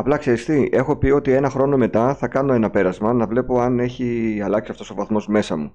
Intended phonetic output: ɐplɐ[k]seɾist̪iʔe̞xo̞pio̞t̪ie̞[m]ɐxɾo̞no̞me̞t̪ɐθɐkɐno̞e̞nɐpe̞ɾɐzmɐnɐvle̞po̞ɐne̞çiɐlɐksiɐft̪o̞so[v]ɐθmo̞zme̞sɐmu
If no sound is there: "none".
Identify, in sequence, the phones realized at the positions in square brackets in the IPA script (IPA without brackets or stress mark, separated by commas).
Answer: k, n, v